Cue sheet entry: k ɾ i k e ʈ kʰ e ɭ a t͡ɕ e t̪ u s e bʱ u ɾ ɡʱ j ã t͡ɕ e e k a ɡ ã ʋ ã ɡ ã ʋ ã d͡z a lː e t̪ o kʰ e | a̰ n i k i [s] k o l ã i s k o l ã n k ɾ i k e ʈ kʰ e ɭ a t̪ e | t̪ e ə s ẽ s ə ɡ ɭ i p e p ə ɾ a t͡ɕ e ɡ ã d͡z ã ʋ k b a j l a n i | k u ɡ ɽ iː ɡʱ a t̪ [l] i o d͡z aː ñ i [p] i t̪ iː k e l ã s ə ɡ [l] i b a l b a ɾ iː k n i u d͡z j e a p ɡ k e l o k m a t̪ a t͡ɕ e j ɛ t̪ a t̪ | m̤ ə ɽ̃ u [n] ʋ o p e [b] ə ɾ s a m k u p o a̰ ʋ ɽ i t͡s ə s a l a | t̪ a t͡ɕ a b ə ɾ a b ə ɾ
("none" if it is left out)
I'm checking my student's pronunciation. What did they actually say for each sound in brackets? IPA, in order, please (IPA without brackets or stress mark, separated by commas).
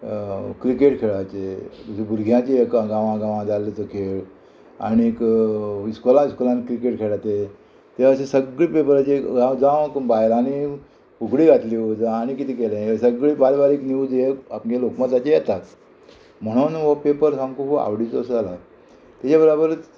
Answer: s, l, k, ɭ, n, p